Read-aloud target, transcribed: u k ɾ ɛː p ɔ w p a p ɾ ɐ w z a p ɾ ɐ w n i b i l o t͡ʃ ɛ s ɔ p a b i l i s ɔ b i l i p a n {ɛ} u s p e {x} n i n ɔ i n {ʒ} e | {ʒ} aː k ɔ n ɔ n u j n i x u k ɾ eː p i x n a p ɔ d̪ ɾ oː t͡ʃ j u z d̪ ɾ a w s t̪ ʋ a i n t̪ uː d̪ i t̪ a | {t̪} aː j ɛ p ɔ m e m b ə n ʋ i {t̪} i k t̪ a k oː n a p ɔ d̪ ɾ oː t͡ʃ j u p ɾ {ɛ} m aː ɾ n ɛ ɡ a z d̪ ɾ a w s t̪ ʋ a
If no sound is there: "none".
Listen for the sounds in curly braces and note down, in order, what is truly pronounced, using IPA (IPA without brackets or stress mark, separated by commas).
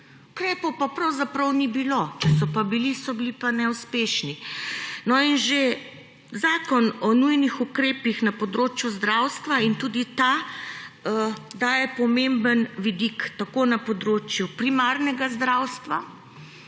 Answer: ɛ, ʃ, ʒ, z, d̪, d̪, i